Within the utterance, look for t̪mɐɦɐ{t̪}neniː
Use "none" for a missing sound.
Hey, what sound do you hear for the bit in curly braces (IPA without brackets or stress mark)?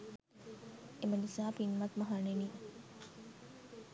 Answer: none